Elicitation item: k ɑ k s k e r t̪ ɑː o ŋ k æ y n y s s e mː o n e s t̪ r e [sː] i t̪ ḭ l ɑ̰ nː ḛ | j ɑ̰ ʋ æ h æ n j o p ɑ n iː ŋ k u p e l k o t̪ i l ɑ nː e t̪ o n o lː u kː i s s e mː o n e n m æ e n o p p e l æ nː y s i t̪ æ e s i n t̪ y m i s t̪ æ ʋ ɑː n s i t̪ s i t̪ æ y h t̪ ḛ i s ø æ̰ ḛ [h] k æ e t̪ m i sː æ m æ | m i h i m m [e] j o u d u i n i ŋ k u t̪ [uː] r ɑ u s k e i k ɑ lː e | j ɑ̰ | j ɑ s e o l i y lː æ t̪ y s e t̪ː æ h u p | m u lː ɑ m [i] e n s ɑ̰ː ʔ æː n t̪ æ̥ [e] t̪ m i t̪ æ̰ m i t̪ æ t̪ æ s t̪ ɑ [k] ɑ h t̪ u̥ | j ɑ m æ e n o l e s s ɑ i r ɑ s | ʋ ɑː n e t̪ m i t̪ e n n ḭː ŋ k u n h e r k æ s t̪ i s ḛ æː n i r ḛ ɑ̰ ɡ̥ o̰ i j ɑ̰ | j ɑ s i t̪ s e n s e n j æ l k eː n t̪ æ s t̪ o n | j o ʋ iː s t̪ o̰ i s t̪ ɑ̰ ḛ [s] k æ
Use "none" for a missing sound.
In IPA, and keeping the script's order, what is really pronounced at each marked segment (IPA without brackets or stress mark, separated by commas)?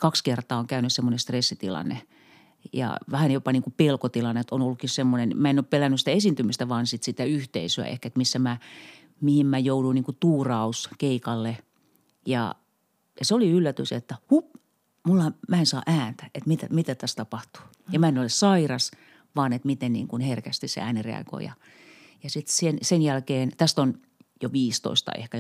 sː, h, æ, uː, æ, e, p, h